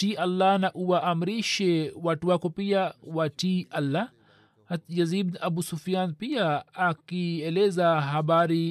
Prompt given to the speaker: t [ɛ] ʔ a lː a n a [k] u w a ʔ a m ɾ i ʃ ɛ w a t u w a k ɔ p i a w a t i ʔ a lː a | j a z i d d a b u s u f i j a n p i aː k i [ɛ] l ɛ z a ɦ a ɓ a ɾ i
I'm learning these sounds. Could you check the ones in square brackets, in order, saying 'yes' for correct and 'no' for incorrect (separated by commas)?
no, no, yes